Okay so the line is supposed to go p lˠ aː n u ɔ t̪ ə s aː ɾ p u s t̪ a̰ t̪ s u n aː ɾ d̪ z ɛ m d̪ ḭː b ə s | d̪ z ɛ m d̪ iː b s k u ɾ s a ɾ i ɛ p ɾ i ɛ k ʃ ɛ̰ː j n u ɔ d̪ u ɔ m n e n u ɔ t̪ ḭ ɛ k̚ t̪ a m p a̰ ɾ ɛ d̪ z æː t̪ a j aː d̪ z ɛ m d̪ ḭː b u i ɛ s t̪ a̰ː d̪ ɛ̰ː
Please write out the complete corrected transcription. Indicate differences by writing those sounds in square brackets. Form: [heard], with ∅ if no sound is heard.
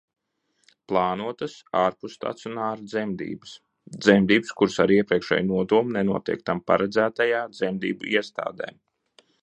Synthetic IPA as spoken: p lˠ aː n u ɔ t̪ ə s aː ɾ p u s t̪ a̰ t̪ s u n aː ɾ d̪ z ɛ m d̪ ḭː b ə s | d̪ z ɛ m d̪ iː b s k u ɾ s a ɾ i ɛ p ɾ i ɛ k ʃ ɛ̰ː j n u ɔ d̪ u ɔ m n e n u ɔ t̪ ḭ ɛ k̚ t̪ a m p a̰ ɾ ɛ d̪ z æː t̪ a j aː d̪ z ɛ m d̪ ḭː b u i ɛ s t̪ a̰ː d̪ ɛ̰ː